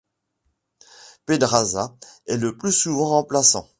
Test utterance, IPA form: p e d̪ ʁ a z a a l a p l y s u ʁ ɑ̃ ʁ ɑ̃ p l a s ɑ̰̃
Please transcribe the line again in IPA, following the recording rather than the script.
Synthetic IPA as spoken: p e d̪ ʁ a z a ɛ l ə p l y s u v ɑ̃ ʁ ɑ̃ p l a s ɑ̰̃

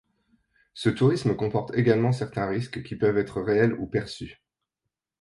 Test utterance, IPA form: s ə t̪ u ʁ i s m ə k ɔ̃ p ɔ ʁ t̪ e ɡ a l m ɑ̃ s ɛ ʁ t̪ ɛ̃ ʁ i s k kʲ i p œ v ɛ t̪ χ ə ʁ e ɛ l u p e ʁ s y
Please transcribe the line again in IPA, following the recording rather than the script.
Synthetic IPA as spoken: s ə t̪ u ʁ i s m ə k ɔ̃ p ɔ ʁ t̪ e ɡ a l m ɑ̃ s ɛ ʁ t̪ ɛ̃ ʁ i s k kʲ i p œ v ɛ t̪ χ ə ʁ e ɛ l u p ɛ ʁ s y

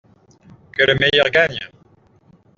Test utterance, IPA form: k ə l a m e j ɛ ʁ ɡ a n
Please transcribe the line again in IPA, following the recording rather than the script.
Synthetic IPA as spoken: k ə l ə m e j œ ʁ ɡ a ɲ

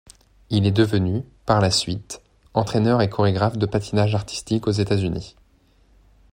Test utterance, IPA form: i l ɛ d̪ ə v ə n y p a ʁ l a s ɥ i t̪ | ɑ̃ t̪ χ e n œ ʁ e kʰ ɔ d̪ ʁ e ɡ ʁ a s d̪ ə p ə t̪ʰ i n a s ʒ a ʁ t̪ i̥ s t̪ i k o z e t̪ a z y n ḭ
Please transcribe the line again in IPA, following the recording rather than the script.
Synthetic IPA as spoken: i l ɛ d̪ ə v ə n y p a ʁ l a s ɥ i t̪ | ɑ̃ t̪ χ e n œ ʁ e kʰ ɔ ʁ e ɡ ʁ a f d̪ ə p a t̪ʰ i n a ʒ a ʁ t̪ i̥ s t̪ i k o z e t̪ a z y n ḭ

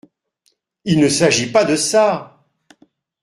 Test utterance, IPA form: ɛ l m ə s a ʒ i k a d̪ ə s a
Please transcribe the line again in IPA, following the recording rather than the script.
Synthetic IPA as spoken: i l n ə s a ʒ i p a d̪ ə s a

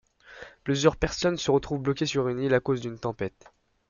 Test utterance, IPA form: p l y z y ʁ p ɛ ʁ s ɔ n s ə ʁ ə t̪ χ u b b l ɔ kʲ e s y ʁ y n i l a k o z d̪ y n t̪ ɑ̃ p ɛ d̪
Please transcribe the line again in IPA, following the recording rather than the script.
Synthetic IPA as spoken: p l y z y ʁ p ɛ ʁ s ɔ n s ə ʁ ə t̪ χ u v b l ɔ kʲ e s y ʁ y n i l a k o z d̪ y n t̪ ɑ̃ p ɛ t̪

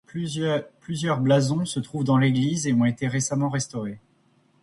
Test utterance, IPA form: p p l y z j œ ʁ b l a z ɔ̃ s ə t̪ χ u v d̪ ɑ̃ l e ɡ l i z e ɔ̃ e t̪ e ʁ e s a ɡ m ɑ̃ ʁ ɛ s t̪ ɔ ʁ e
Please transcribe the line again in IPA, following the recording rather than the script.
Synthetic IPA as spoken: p p l y z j œ ʁ b l a z ɔ̃ s ə t̪ χ u v d̪ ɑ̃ l e ɡ l i z e ɔ̃ e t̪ e ʁ e s a m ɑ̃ ʁ ɛ s t̪ ɔ ʁ e

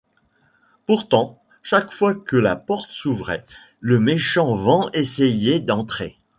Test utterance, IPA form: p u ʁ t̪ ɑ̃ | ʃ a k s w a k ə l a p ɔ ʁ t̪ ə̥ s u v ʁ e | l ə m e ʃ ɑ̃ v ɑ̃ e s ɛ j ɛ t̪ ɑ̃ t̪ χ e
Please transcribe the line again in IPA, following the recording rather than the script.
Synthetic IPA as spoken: p u ʁ t̪ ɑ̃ | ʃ a k f w a k ə l a p ɔ ʁ t̪ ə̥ s u v ʁ ɛ | l ə m e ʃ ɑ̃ v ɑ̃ e s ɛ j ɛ d̪ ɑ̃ t̪ χ e

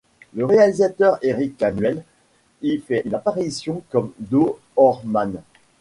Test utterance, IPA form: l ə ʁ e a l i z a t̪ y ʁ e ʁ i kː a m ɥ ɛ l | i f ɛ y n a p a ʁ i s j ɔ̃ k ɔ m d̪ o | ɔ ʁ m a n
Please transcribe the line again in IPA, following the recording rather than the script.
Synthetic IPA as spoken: l ə ʁ e a l i z a t̪ œ ʁ e ʁ i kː a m ɥ ɛ l | i f ɛ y n a p a ʁ i s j ɔ̃ k ɔ m d̪ o | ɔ ʁ m a n

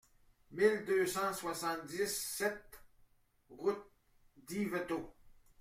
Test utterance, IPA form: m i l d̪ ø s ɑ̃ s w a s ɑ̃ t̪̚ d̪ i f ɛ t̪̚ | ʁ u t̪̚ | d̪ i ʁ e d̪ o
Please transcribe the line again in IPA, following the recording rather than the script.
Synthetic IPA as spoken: m i l d̪ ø s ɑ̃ s w a s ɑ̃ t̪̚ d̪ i s ɛ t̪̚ | ʁ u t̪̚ | d̪ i v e t̪ o

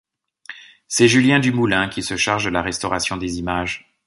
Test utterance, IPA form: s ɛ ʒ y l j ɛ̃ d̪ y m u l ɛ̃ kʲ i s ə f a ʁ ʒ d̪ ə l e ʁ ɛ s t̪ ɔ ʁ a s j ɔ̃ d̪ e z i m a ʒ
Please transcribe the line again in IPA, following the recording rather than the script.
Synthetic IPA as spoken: s ɛ ʒ y l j ɛ̃ d̪ y m u l ɛ̃ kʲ i s ə ʃ a ʁ ʒ d̪ ə l a ʁ ɛ s t̪ ɔ ʁ a s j ɔ̃ d̪ e z i m a ʒ

